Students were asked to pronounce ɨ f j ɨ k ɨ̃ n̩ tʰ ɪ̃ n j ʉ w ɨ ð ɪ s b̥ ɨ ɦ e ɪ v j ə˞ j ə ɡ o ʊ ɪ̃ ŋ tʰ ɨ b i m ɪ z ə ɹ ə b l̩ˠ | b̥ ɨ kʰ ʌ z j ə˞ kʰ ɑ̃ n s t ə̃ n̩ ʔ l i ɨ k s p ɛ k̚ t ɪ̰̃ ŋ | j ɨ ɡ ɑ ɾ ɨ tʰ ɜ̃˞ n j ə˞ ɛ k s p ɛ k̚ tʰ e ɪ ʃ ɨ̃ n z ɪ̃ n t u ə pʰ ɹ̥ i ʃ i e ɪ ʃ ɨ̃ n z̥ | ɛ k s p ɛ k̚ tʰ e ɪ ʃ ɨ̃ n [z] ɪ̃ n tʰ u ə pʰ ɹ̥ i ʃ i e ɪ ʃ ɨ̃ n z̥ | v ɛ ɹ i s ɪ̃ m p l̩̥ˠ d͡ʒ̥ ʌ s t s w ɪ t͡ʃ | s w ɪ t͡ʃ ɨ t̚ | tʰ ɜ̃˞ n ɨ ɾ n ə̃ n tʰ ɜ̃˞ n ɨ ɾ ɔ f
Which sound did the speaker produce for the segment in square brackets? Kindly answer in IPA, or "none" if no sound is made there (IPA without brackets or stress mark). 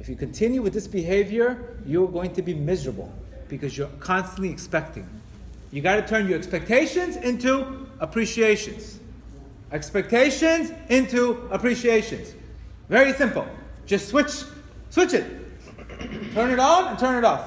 z